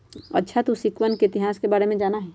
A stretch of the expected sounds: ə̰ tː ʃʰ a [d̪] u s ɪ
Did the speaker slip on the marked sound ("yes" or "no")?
yes